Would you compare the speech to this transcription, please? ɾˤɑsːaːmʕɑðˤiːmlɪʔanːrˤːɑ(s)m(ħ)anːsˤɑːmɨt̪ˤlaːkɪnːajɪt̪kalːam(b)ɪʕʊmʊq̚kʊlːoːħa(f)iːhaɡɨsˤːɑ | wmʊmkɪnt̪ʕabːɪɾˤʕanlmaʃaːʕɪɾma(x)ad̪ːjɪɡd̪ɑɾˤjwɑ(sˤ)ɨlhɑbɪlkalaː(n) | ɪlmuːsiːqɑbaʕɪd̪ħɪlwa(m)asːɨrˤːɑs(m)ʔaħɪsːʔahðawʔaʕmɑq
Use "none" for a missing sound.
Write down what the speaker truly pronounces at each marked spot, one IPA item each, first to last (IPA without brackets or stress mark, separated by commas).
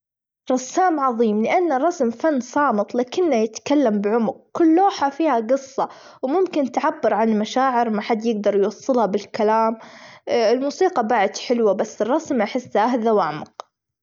s, f, b, f, ħ, sˤː, m, b, m